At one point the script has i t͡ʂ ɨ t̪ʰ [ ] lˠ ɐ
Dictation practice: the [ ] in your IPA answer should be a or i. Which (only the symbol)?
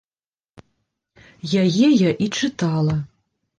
a